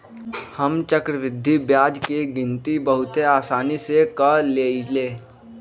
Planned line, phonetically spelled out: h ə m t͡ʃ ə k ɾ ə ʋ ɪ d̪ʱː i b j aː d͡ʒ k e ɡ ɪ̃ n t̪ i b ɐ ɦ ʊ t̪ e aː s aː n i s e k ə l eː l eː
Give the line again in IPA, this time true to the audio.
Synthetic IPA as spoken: h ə m t͡ʃ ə k ɾ ə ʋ ɪ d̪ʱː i b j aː d͡ʒ k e ɡ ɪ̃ n t̪ i b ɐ ɦ ʊ t̪ e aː s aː n i s e k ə l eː l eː